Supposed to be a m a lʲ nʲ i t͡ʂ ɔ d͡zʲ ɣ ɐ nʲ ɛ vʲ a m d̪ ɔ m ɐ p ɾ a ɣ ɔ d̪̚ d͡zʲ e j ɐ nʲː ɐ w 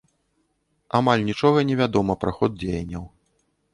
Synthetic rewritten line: a m a lʲ nʲ i t͡ʂ ɔ ɣ ɐ nʲ ɛ vʲ a d̪ ɔ m ɐ p ɾ a x ɔ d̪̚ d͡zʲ e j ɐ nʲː ɐ w